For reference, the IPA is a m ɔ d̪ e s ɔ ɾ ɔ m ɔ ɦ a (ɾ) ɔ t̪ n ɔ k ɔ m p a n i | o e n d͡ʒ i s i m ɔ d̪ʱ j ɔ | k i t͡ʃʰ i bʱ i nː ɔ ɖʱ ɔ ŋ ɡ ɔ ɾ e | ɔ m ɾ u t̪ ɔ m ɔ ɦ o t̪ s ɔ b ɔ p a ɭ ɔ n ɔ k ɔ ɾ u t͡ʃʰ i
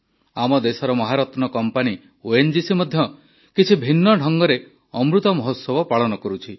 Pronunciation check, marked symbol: correct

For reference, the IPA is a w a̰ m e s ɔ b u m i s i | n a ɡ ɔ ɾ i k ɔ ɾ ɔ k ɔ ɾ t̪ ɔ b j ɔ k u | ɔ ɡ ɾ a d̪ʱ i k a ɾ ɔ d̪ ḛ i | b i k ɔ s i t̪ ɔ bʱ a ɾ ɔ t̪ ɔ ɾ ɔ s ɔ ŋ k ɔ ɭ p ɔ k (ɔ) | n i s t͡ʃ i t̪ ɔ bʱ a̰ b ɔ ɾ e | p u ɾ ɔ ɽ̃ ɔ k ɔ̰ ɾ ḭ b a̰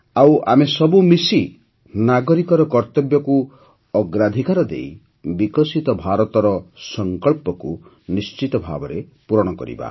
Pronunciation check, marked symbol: incorrect: u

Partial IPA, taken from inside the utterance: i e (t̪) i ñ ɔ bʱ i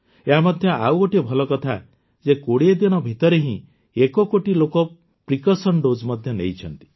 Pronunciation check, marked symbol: incorrect: d̪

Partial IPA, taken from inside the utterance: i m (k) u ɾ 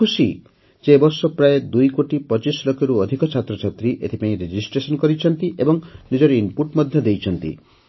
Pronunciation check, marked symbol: incorrect: p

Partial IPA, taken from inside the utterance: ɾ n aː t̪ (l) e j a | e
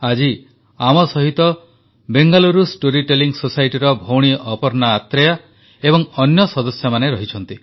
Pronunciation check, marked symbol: incorrect: ɾ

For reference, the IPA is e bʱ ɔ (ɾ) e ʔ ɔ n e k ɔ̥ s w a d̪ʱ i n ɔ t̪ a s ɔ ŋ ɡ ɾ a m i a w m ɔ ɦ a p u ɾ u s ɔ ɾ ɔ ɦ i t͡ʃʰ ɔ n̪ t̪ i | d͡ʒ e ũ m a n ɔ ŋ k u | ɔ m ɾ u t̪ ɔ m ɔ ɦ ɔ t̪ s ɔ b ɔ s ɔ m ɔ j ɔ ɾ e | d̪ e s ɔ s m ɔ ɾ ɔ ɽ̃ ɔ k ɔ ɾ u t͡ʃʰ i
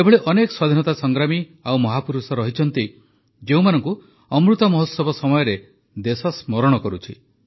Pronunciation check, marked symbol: incorrect: ɭ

